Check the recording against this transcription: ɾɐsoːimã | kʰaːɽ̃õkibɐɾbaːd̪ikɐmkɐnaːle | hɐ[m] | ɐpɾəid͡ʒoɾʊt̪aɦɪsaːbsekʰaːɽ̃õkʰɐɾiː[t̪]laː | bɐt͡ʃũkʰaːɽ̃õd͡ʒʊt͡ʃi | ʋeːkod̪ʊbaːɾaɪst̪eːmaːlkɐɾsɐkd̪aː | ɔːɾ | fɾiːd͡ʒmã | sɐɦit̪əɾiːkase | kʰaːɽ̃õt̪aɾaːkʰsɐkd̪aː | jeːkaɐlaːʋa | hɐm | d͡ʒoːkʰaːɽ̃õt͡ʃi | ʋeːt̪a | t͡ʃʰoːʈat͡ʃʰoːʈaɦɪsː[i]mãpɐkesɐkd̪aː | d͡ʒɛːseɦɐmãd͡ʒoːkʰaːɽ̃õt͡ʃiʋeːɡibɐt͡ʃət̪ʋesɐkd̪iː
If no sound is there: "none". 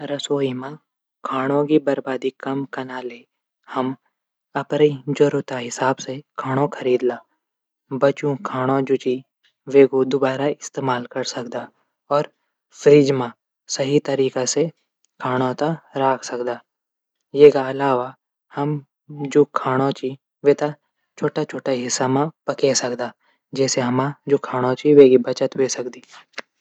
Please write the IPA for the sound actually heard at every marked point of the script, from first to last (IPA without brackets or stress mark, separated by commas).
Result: m, d̪, a